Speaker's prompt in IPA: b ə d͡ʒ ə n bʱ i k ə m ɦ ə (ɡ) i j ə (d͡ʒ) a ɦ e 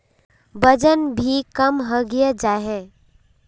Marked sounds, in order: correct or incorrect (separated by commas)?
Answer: correct, correct